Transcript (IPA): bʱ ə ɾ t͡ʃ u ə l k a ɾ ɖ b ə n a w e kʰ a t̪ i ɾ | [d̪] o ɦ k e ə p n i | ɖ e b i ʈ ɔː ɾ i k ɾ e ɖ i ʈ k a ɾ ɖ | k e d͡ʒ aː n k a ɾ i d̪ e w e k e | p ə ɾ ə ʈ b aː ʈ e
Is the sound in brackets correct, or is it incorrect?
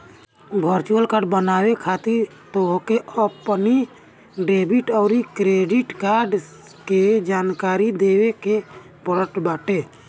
incorrect: t̪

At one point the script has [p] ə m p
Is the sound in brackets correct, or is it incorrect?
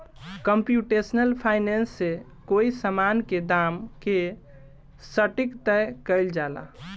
incorrect: k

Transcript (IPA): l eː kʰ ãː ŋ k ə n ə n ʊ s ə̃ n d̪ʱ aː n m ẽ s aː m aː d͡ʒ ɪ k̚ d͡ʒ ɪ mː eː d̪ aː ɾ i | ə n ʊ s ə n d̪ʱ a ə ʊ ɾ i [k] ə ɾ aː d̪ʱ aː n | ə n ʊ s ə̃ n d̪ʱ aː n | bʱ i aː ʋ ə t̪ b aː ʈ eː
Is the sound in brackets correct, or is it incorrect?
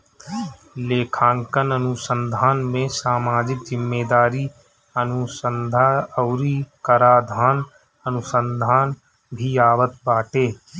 correct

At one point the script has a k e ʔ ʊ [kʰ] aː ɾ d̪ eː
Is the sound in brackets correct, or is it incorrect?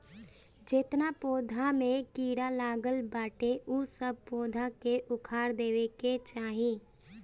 correct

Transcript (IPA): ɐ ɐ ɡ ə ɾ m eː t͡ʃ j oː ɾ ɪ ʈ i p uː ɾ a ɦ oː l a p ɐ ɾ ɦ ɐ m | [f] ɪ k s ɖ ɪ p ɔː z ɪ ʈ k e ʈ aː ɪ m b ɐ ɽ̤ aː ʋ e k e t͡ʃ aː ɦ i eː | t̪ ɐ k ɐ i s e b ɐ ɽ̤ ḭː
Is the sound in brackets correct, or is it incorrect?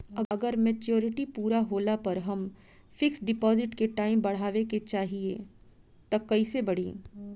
correct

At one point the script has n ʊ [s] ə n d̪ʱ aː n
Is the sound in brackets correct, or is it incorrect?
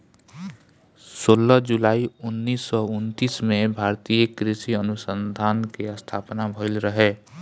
correct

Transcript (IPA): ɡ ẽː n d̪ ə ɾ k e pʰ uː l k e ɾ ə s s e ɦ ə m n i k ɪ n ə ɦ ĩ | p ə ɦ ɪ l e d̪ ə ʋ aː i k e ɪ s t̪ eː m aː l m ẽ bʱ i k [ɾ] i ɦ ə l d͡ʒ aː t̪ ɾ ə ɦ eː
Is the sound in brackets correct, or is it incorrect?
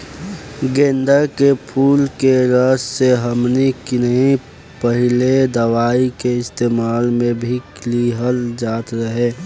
incorrect: l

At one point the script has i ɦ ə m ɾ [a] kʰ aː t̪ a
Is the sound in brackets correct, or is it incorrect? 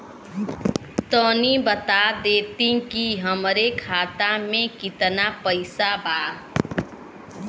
incorrect: e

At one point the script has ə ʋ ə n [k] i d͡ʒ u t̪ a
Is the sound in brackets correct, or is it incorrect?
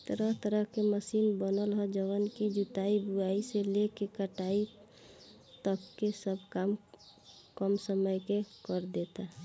correct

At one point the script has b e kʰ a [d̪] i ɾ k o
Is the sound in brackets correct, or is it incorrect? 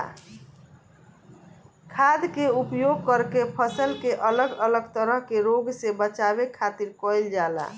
incorrect: t̪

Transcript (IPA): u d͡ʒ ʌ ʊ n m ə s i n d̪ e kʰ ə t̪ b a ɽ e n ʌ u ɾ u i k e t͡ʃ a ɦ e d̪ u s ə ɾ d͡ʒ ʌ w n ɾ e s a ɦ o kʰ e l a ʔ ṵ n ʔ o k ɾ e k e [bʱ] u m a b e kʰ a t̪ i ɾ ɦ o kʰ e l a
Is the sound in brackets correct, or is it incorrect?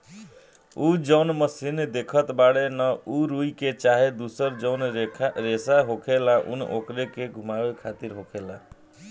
incorrect: ɡʱ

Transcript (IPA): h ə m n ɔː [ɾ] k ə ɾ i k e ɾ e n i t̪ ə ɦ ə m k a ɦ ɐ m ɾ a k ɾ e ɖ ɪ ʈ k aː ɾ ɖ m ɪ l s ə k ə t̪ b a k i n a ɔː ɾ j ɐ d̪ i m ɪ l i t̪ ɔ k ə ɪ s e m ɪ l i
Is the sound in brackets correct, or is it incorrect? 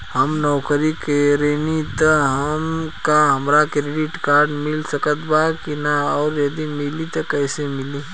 incorrect: none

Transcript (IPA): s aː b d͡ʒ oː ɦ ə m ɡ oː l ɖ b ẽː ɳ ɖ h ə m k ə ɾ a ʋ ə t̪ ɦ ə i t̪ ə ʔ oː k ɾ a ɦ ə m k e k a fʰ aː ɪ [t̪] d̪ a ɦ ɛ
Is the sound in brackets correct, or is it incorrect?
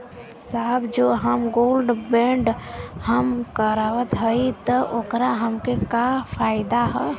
incorrect: none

